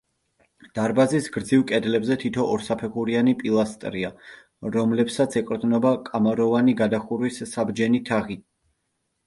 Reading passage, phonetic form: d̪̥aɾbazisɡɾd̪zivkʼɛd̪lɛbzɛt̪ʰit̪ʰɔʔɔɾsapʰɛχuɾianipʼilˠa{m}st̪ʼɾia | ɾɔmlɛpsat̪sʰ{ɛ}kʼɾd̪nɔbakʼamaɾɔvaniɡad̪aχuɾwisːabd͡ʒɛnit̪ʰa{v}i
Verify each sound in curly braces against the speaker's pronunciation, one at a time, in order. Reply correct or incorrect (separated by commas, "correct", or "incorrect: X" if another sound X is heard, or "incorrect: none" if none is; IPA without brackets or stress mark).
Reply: incorrect: none, correct, incorrect: ʁ